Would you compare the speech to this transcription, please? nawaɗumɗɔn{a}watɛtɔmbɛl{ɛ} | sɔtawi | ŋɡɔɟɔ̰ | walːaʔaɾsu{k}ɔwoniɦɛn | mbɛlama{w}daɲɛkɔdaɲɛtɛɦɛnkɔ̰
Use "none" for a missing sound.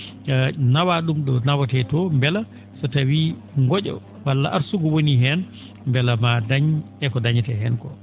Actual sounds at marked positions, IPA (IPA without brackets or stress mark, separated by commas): a, a, ɡ, none